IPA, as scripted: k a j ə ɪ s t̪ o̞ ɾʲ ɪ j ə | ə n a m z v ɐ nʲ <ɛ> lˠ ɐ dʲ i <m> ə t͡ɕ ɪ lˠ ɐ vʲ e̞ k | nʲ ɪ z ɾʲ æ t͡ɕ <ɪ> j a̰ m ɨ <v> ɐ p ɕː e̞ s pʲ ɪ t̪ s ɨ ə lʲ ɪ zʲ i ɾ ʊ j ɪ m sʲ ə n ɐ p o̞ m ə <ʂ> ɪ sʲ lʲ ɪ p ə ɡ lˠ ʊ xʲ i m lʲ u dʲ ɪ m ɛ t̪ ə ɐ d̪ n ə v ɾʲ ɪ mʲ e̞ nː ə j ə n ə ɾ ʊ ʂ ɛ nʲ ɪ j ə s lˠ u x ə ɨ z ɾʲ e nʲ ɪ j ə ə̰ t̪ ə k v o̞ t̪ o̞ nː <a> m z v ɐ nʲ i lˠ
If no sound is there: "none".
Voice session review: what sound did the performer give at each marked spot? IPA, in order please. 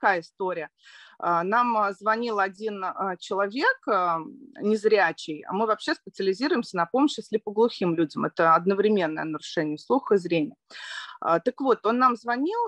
i, n, ɪ, v, ɕ, a

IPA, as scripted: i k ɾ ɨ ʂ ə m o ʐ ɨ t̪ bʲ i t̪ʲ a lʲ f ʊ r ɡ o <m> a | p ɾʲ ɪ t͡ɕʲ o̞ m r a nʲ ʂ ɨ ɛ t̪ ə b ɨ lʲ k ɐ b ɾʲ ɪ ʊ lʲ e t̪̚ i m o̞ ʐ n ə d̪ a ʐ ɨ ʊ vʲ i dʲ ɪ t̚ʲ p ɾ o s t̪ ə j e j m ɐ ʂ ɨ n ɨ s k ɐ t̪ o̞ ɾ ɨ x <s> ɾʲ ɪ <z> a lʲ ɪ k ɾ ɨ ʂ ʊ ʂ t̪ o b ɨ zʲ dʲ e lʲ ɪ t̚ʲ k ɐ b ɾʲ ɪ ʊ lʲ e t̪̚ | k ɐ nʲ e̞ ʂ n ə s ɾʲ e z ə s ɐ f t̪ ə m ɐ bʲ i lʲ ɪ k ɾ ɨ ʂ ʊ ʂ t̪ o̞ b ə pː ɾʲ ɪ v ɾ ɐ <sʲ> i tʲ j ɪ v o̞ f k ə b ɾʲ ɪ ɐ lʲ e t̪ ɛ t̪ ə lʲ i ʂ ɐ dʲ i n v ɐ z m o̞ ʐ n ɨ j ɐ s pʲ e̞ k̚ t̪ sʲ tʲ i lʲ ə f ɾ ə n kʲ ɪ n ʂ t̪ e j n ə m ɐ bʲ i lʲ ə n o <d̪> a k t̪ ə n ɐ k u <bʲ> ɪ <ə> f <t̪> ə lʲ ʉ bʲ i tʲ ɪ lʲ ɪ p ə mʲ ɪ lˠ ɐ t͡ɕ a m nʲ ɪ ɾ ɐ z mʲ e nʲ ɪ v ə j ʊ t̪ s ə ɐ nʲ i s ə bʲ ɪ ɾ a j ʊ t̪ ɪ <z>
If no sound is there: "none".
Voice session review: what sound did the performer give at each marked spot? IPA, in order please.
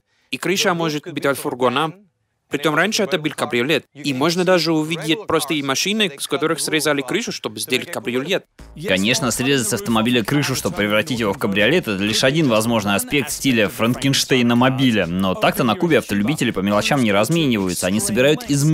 n, s, z, tʲ, t̪, bʲ, ɐ, t̪, z

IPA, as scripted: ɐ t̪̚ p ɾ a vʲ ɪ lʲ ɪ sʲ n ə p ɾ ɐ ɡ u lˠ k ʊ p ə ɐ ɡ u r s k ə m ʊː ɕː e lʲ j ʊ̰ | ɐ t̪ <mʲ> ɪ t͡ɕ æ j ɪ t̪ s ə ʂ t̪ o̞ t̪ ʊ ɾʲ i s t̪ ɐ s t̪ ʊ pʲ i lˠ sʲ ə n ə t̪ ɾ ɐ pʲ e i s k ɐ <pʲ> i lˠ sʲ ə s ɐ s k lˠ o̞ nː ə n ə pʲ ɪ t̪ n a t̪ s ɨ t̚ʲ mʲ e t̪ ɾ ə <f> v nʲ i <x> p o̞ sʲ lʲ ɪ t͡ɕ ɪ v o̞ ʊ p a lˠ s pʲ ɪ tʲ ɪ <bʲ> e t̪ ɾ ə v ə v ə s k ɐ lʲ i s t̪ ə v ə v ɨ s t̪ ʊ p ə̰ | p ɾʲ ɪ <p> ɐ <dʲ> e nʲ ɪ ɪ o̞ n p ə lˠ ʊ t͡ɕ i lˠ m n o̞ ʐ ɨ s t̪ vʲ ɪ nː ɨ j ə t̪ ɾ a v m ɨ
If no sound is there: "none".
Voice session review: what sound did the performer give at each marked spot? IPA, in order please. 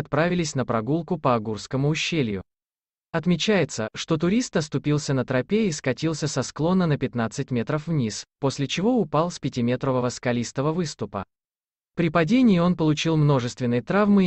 mʲ, tʲ, f, s, mʲ, p, dʲ

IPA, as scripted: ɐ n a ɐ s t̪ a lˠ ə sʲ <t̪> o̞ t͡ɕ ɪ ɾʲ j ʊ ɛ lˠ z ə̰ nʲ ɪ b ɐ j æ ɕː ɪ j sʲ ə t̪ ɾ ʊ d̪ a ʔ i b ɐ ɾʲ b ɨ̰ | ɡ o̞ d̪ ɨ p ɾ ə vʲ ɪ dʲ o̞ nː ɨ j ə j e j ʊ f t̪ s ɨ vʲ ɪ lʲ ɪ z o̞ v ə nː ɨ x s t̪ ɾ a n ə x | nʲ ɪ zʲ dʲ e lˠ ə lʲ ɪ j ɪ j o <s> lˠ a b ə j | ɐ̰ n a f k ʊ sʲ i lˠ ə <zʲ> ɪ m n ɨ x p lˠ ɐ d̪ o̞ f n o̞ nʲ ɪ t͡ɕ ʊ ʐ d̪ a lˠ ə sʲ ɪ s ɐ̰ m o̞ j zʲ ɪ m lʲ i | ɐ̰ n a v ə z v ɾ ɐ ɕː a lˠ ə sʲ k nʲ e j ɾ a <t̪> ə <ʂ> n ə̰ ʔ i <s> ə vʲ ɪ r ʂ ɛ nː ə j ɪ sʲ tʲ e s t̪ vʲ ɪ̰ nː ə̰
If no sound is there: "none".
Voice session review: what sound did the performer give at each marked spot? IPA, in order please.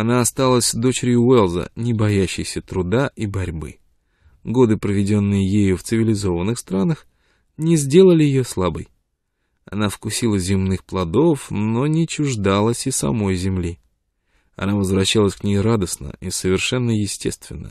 d̪, s, zʲ, d̪, s, s

